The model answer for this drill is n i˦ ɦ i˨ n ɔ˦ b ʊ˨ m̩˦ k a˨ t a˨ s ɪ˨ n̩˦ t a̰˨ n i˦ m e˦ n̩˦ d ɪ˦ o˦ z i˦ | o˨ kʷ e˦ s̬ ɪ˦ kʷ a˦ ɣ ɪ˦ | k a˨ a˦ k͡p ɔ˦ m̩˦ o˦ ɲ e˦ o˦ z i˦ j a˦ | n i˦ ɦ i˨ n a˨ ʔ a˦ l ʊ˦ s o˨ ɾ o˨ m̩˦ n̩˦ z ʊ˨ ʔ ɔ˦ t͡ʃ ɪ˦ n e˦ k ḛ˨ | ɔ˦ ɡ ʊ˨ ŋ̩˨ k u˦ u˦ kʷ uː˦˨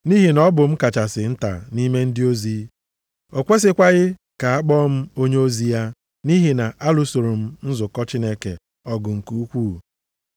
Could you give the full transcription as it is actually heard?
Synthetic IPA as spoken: n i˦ ɦ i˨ n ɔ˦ b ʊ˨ m̩˦ k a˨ t͡ʃ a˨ s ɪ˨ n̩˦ t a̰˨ n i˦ m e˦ n̩˦ d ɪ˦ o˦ z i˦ | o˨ kʷ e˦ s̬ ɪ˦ kʷ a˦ ɣ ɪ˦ | k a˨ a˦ k͡p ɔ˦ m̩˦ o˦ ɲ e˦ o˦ z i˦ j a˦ | n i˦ ɦ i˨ n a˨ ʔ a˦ l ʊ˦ s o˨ ɾ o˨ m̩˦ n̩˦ z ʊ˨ k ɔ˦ t͡ʃ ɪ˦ n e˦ k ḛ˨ | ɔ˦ ɡ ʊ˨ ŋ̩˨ k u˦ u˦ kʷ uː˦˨